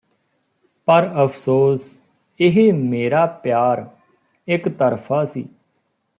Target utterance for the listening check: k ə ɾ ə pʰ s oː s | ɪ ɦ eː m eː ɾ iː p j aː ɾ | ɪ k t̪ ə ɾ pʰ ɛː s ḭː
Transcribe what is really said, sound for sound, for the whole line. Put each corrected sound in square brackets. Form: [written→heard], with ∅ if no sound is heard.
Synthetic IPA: [k→p] ə ɾ ə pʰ s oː s | ɪ ɦ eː m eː ɾ [iː→aː] p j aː ɾ | ɪ k t̪ ə ɾ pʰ [ɛː→aː] s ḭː